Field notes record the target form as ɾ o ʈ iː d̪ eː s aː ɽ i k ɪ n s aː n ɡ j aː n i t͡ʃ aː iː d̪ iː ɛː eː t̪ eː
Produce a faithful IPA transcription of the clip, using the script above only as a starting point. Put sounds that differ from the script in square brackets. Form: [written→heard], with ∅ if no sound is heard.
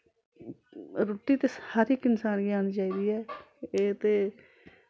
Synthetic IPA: ɾ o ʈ iː [d̪→t̪] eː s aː [ɽ→ɾ] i k ɪ n s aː n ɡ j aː n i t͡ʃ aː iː d̪ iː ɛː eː t̪ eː